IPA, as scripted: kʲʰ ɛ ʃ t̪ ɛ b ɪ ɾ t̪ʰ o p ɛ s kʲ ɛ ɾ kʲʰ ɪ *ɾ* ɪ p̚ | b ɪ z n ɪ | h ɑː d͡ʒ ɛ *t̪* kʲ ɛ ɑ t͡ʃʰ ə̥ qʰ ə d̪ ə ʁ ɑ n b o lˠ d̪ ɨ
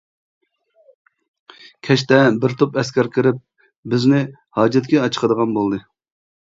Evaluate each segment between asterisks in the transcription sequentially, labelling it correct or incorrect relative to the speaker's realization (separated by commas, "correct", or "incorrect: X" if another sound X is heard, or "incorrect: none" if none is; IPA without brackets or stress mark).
correct, correct